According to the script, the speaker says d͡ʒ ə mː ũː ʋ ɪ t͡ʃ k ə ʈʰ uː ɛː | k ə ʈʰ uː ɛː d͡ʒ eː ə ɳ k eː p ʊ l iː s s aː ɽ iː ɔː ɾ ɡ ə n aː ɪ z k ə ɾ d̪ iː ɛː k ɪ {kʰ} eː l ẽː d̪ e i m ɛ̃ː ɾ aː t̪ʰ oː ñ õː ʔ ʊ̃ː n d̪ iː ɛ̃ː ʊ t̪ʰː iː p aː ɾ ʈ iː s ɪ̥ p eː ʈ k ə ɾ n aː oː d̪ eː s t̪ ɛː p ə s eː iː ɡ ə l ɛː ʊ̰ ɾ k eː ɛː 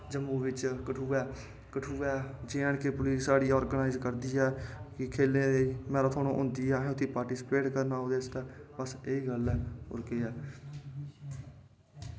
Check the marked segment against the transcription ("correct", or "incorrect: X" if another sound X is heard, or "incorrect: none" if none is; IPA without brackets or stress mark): correct